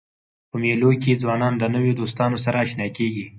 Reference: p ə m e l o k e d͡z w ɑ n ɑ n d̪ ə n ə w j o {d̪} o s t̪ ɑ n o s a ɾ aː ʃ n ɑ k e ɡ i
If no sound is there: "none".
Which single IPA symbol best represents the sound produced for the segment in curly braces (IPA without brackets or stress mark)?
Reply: d̪